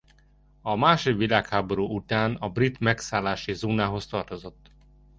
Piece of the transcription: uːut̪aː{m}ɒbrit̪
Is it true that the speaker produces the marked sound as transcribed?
no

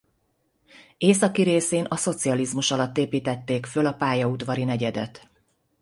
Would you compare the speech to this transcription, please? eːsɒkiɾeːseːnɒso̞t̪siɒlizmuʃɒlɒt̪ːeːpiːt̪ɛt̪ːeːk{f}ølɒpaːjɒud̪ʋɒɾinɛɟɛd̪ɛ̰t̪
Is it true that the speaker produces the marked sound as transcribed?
yes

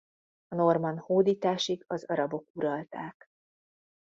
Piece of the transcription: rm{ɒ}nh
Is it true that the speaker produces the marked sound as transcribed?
yes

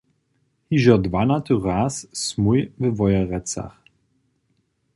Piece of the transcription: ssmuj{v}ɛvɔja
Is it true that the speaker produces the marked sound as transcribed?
yes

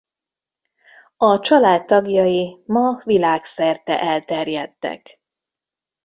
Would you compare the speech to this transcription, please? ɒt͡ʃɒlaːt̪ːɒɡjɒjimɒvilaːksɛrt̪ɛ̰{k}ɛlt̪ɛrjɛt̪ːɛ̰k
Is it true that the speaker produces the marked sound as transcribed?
no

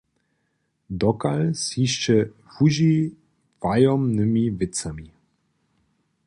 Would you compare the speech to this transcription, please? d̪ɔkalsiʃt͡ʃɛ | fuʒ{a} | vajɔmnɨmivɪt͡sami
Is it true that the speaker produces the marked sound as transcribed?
no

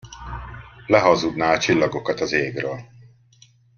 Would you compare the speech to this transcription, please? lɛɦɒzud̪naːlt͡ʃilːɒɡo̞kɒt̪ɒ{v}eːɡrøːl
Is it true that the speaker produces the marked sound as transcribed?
no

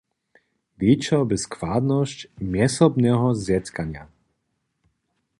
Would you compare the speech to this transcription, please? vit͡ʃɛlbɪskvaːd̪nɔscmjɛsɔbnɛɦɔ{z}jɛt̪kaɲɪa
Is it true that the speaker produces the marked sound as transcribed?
yes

